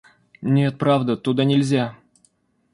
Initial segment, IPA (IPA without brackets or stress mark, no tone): nʲ